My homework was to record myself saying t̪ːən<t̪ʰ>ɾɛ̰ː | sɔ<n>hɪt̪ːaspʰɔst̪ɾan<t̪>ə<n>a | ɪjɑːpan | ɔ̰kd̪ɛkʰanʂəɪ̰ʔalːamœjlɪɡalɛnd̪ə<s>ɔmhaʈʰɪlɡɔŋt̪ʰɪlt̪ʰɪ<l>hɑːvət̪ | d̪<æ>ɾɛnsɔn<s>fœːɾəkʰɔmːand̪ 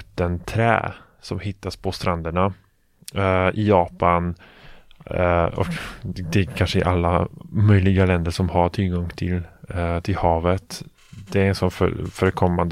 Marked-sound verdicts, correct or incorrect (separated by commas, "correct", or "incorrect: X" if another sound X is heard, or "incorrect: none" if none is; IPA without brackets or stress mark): correct, incorrect: m, incorrect: d̪, incorrect: ɳ, incorrect: ʂ, correct, incorrect: ɛ, incorrect: f